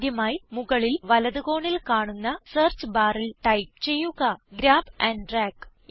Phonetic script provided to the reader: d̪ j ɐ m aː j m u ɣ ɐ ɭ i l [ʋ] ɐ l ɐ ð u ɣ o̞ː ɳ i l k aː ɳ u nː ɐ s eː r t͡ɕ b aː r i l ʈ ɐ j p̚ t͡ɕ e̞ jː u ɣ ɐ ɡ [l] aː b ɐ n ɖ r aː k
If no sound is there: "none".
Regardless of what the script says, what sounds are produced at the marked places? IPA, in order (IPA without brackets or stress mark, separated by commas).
ʋ, ɾ